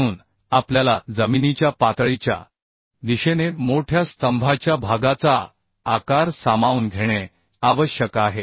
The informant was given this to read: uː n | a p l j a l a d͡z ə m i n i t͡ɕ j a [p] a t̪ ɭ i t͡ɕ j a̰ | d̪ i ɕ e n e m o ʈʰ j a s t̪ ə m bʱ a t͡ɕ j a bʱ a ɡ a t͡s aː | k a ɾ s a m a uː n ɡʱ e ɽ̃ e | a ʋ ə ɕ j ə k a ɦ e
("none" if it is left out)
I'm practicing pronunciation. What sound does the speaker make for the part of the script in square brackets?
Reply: p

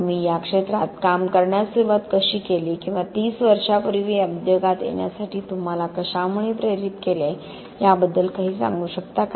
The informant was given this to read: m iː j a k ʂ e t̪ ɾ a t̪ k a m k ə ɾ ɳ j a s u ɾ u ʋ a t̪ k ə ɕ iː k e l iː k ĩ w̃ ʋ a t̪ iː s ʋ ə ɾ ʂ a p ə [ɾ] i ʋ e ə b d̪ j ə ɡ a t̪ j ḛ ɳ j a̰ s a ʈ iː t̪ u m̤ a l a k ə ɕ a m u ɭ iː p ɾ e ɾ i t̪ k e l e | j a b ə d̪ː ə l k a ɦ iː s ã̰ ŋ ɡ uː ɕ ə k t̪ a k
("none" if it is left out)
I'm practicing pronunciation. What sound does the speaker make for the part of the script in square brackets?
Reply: ɾ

